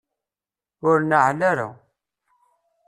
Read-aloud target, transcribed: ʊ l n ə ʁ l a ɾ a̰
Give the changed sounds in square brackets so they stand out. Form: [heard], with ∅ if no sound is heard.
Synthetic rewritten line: ʊ [ɾ] n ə [ʕ] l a ɾ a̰